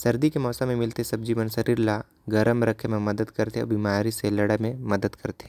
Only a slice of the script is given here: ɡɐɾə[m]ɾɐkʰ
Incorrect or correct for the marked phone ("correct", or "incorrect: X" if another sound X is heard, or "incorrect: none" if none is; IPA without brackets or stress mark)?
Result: correct